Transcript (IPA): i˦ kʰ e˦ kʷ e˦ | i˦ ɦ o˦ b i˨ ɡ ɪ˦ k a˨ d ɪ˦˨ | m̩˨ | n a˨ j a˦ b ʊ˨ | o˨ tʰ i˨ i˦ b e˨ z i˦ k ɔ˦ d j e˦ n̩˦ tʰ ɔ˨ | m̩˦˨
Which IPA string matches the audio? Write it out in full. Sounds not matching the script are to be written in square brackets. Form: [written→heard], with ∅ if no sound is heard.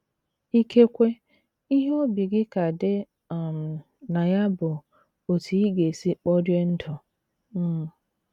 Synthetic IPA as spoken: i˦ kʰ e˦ kʷ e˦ | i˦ ɦ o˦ b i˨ ɡ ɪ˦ k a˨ d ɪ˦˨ | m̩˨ | n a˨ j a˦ b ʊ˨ | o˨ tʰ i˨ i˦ [b→ɡ] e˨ [z→s] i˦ [k→k͡p] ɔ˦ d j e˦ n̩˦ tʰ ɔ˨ | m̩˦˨